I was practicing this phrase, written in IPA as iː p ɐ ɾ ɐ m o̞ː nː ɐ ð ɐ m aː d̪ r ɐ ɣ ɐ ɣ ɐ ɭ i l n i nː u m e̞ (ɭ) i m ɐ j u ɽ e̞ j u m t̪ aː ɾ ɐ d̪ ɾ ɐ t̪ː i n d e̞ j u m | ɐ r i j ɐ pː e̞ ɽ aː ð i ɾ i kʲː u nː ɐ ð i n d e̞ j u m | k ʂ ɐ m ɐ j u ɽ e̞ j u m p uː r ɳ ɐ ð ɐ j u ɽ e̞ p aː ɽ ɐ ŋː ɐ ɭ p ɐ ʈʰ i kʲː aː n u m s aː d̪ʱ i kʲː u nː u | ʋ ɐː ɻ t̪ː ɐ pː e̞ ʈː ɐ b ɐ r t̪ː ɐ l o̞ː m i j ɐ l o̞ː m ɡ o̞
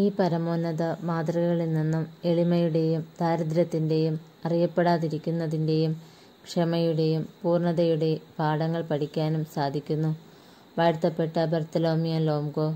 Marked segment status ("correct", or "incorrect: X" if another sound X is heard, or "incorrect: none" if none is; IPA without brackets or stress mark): correct